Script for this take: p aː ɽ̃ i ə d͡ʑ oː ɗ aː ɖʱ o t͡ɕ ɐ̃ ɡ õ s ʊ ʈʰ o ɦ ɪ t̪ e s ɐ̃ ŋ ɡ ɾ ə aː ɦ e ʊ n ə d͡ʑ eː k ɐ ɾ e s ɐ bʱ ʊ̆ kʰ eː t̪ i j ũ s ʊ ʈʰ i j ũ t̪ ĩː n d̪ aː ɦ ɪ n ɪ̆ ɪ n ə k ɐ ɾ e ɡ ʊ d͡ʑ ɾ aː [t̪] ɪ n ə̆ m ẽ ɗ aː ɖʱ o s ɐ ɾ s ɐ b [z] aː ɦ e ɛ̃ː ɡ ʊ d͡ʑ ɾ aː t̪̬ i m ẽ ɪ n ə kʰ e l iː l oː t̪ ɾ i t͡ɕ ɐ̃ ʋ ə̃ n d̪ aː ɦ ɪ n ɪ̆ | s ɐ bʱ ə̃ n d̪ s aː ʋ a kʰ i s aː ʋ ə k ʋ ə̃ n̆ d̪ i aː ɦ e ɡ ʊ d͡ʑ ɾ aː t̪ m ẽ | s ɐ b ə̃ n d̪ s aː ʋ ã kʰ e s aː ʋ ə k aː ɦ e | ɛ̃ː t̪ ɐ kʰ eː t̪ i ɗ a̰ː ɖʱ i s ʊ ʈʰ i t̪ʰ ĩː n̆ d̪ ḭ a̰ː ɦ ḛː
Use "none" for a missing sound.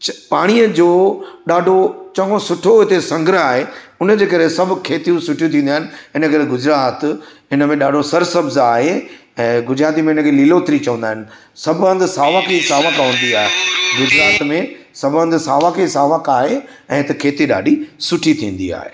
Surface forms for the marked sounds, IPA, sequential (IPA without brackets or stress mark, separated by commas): t̪, z